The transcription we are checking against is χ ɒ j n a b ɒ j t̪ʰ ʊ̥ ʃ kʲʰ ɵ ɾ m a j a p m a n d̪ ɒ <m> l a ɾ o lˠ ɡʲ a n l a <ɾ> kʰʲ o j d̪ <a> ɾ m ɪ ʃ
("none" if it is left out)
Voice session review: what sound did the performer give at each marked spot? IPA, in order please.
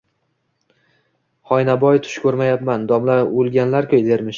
m, ɾ, e

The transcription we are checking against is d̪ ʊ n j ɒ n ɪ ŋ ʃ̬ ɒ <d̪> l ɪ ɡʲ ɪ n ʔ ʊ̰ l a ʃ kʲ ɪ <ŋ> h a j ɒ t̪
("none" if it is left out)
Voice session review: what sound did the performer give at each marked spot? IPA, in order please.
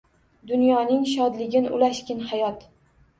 d̪, n

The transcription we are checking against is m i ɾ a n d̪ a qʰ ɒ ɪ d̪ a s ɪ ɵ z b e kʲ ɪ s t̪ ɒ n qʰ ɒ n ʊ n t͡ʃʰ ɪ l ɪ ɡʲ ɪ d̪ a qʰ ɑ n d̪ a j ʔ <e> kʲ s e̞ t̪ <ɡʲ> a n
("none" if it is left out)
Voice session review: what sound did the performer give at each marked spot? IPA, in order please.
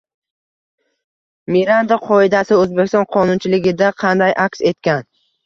a, kʲ

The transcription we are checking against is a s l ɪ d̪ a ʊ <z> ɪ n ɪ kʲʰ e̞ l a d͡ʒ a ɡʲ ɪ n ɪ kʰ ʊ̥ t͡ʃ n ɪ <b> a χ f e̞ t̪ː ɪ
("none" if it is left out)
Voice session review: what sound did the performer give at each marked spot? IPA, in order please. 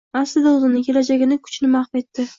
z, m

